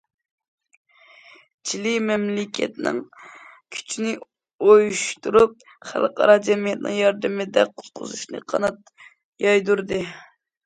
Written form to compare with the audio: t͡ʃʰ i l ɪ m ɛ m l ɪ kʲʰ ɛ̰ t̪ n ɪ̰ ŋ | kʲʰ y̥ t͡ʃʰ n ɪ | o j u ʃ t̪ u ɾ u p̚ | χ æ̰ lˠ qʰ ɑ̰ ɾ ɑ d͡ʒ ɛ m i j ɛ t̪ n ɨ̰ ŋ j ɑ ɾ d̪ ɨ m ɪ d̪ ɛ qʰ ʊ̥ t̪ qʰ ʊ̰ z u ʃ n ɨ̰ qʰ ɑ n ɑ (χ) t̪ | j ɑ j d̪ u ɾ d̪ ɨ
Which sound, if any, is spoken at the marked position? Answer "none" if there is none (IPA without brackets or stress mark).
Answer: none